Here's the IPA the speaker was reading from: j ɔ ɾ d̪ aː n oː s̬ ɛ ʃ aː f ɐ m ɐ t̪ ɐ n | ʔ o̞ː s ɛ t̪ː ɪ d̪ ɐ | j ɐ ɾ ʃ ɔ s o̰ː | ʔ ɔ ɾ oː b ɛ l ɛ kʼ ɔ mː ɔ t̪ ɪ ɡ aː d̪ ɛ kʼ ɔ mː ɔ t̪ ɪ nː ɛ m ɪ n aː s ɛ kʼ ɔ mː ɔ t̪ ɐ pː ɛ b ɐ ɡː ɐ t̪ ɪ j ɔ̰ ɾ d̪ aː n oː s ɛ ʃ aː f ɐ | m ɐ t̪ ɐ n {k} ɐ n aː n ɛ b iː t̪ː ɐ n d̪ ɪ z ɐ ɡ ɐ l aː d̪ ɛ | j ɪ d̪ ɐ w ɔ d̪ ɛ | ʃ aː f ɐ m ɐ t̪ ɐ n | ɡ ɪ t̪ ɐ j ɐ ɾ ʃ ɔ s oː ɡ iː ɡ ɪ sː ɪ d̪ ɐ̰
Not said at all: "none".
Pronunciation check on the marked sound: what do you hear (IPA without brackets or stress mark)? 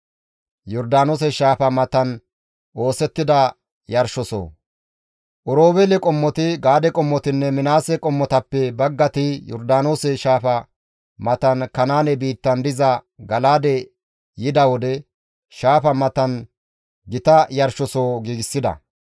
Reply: k